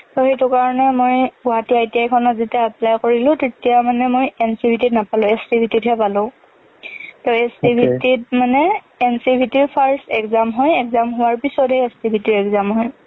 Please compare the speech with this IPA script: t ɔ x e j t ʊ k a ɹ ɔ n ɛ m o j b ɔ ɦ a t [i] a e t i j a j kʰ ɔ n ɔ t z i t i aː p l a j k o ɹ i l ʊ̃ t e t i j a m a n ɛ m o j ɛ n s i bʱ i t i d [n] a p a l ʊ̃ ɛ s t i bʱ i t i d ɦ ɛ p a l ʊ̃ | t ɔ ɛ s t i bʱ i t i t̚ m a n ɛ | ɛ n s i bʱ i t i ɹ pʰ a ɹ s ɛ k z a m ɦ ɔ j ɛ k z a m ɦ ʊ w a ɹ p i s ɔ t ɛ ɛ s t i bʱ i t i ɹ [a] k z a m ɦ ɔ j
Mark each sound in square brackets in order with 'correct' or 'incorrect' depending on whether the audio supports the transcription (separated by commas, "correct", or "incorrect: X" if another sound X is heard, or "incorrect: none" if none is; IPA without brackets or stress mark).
correct, correct, incorrect: ɛ